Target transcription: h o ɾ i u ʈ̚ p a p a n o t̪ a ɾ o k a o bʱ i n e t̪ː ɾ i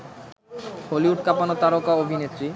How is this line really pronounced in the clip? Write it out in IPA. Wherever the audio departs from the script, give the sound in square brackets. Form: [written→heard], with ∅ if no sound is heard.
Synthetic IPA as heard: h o [ɾ→l] i u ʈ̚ [p→k] a p a n o t̪ a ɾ o k a o bʱ i n e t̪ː ɾ i